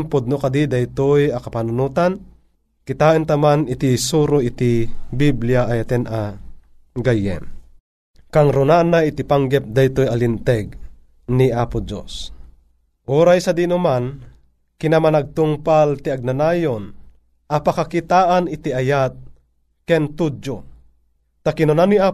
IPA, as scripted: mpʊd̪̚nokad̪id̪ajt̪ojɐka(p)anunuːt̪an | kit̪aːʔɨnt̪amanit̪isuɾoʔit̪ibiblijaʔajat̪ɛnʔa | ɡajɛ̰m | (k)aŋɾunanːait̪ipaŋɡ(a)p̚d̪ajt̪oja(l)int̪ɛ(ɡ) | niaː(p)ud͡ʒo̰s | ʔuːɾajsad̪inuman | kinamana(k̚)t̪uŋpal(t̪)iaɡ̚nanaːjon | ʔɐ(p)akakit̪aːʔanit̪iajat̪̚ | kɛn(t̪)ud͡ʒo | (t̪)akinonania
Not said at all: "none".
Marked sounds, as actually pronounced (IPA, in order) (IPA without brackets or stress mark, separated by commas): p, k, ɛ, l, ɡ, p, ɡ̚, t̪, p, t̪, t̪